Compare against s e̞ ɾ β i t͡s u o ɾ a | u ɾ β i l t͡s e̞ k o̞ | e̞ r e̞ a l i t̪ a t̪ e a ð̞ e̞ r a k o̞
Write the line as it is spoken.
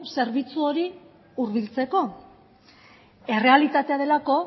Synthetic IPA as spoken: s e̞ ɾ β i t͡s u o ɾ i | u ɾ β i l t͡s e̞ k o̞ | e̞ r e̞ a l i t̪ a t̪ e a ð̞ e̞ l a k o̞